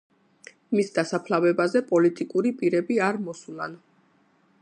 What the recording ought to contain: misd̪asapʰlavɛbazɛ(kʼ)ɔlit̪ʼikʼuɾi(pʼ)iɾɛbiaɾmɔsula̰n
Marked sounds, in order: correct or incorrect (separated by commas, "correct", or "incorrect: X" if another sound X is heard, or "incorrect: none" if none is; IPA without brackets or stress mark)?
incorrect: pʼ, correct